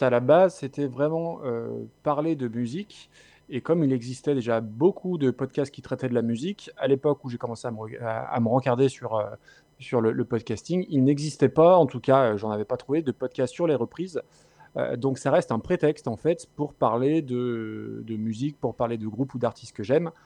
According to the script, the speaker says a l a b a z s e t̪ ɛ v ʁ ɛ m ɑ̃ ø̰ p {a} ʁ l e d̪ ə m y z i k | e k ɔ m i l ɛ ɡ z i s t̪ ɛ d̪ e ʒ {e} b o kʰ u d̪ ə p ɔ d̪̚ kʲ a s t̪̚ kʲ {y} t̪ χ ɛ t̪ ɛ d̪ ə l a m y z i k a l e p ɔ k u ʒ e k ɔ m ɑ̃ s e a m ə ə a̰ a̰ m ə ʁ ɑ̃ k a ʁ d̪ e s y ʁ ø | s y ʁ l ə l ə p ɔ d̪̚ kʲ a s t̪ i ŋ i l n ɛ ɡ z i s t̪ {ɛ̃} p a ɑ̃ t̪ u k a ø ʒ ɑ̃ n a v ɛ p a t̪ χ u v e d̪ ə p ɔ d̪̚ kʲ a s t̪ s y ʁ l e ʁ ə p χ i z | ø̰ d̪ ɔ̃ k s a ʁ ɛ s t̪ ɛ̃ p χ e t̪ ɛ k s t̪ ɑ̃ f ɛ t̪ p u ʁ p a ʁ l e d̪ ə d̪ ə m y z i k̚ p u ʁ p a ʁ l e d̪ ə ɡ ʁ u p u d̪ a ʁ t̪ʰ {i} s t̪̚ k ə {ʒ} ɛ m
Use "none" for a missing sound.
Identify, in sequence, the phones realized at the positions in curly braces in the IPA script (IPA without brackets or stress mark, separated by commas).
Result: a, a, i, ɛ, i, ʒ